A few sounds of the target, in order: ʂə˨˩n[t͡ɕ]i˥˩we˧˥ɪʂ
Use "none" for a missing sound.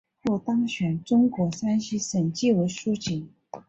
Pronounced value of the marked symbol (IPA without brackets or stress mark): t͡ɕ